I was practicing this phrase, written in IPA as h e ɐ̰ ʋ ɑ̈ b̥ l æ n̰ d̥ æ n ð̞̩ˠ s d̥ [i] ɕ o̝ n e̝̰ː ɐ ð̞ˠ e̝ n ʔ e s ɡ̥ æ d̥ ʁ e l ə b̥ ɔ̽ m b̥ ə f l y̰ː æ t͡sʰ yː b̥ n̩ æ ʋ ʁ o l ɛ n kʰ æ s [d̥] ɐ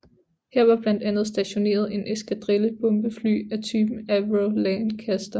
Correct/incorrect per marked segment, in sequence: incorrect: æ, correct

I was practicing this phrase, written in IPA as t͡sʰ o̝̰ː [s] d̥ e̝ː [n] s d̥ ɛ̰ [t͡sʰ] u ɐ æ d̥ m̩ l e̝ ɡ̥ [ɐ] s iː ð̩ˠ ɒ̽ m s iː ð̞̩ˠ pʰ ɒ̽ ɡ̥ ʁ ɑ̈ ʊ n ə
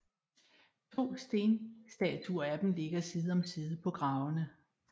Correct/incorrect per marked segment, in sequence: correct, correct, correct, correct

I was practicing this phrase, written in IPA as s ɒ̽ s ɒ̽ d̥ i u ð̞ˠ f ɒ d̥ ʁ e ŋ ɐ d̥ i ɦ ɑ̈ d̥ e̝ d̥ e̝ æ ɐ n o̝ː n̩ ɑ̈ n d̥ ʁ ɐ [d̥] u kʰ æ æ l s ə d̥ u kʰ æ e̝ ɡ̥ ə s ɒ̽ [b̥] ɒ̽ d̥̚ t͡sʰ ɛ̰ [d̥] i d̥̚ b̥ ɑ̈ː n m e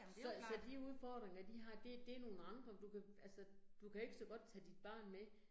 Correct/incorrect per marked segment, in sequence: correct, incorrect: ɡ̥, correct

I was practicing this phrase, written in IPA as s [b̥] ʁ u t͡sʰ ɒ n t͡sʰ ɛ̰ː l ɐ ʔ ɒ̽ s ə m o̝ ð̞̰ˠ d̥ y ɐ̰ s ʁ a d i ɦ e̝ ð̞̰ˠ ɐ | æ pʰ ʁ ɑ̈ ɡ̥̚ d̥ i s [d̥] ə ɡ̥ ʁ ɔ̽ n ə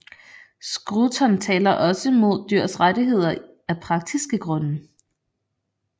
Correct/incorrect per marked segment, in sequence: incorrect: ɡ̥, incorrect: ɡ̥

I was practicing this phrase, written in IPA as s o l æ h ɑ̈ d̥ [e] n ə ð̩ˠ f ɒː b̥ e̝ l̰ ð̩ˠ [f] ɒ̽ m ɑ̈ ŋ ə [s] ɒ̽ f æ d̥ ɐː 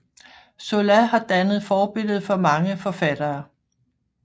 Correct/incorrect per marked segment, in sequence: incorrect: æ, correct, incorrect: f

